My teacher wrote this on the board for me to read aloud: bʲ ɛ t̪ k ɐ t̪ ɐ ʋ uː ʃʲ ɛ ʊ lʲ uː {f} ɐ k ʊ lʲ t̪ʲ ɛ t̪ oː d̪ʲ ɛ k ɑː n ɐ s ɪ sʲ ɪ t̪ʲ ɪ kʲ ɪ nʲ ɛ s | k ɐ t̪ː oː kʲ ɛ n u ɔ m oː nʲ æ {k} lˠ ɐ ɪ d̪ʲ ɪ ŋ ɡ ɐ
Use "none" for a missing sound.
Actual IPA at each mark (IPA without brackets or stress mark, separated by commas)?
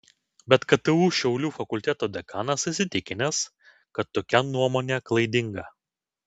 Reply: f, k